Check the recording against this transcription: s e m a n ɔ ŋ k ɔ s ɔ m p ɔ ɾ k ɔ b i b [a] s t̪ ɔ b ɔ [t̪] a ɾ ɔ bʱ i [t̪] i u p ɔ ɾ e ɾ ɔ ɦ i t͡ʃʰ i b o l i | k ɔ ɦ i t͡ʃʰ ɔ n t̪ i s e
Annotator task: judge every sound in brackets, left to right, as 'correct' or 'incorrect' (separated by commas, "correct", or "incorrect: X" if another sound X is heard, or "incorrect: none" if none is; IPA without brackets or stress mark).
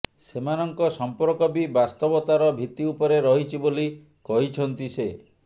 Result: correct, correct, correct